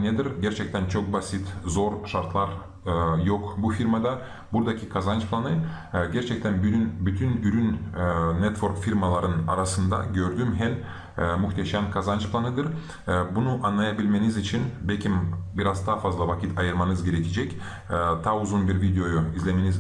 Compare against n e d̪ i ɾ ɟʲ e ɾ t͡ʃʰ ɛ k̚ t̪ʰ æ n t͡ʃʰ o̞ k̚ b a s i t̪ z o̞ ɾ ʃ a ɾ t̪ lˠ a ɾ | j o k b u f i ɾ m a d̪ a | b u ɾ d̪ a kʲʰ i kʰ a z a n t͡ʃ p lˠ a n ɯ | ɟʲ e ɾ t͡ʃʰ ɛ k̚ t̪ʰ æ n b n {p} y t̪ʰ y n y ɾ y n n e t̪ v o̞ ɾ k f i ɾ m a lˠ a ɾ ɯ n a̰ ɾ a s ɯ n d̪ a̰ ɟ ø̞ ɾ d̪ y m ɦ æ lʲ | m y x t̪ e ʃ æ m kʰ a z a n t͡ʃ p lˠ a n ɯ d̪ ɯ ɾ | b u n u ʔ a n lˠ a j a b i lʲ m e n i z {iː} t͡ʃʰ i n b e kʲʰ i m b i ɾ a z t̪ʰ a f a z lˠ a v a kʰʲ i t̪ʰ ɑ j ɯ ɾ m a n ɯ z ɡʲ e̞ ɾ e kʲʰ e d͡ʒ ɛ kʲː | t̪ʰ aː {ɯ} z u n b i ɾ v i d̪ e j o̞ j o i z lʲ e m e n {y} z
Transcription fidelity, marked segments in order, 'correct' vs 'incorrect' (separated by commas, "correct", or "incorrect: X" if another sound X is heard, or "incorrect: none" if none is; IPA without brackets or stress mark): incorrect: b, incorrect: i, incorrect: u, incorrect: i